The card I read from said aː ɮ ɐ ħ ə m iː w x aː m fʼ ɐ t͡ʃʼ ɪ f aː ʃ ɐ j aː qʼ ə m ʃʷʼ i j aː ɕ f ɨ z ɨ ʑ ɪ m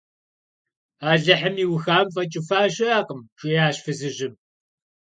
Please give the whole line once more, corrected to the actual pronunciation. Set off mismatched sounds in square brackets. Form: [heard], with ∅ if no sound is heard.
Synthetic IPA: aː ɮ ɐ ħ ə m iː w x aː m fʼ ɐ t͡ʃʼ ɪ f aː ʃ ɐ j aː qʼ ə m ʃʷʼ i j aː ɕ f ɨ z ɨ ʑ ɪ m